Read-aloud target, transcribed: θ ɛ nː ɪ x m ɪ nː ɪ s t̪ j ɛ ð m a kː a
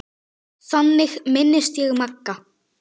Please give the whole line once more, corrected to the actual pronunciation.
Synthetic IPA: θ a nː ɪ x m ɪ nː ɪ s t̪ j ɛ ɣ m a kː a